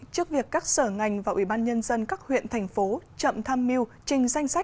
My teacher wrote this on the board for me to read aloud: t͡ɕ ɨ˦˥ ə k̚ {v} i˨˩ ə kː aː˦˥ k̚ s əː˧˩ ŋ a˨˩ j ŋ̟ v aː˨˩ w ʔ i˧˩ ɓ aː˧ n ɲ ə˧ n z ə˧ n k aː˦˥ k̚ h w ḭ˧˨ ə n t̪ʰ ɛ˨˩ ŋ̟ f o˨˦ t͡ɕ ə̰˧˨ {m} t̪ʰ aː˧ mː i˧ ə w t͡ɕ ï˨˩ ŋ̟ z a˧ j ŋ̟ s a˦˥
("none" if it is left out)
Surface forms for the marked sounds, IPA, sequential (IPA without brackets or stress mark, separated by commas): v, m